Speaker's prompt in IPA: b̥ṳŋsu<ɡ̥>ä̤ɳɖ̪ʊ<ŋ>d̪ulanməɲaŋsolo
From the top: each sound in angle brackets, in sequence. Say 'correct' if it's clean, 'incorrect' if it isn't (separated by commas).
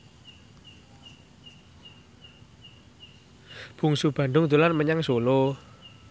incorrect, correct